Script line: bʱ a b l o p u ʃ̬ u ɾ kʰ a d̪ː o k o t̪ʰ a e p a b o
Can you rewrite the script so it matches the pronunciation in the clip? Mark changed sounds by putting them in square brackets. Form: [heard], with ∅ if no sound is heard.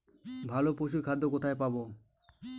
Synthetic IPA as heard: bʱ a [∅] l o p [o] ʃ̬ u ɾ kʰ a d̪ː o k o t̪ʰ a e p a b o